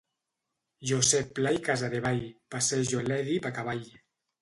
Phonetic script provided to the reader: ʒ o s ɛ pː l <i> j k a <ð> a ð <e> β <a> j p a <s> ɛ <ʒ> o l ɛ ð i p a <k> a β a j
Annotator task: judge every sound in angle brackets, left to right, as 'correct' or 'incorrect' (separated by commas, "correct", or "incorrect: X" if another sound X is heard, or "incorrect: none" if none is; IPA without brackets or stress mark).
incorrect: a, incorrect: z, correct, correct, correct, correct, correct